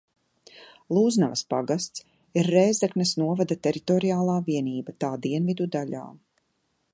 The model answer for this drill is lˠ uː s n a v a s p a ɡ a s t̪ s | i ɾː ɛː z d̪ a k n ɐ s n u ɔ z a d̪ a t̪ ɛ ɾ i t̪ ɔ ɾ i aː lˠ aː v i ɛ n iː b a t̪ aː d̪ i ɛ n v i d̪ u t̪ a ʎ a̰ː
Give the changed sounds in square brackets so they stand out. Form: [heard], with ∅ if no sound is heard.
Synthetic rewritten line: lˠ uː [z] n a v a s p a ɡ a s t̪ s | i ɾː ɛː z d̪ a k n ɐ s n u ɔ [v] a d̪ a t̪ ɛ ɾ i t̪ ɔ ɾ i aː lˠ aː v i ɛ n iː b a t̪ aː d̪ i ɛ n v i d̪ u [d̪] a ʎ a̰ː